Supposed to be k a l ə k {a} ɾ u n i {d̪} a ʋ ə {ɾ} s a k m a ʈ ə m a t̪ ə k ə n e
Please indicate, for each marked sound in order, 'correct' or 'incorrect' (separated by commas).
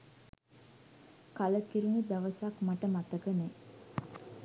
incorrect, correct, incorrect